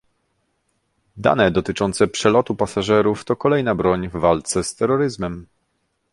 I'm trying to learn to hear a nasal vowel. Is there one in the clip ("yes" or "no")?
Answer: no